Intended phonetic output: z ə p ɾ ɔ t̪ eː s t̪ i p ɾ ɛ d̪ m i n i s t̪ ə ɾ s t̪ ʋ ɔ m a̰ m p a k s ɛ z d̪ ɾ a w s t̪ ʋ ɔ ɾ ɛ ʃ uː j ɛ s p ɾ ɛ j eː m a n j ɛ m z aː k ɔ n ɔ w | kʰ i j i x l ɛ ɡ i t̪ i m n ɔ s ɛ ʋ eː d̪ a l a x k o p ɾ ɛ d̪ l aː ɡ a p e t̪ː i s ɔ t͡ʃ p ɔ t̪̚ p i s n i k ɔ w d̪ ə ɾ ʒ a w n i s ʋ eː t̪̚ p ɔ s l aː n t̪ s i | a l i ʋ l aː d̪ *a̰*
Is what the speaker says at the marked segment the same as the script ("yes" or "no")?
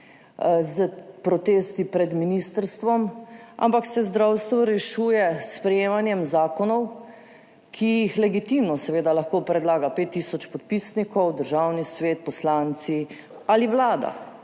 yes